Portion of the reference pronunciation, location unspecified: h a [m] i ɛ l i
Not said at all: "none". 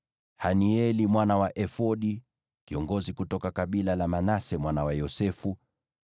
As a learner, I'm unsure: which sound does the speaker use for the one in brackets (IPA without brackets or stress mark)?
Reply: n